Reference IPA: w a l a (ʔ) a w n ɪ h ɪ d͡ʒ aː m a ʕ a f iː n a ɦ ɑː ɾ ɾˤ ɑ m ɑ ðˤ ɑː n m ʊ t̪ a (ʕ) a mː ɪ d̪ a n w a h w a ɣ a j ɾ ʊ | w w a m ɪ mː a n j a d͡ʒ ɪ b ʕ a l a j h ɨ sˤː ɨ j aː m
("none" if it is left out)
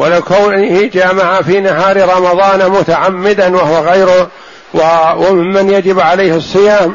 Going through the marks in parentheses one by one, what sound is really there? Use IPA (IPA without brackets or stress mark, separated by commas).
k, ʕ